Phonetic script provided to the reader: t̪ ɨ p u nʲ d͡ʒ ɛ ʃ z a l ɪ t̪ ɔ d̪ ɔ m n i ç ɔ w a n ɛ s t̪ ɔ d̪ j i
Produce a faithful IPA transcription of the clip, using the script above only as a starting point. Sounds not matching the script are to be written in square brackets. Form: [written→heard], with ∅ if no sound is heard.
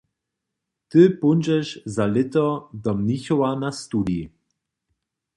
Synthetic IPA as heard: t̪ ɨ p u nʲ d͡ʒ ɛ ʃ z a l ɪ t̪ ɔ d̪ ɔ m n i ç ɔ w a n [ɛ→a] s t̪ [ɔ→u] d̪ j i